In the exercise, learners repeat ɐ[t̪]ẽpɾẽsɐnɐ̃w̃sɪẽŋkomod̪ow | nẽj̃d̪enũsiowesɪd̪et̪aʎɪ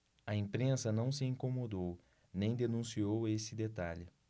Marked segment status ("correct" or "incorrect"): incorrect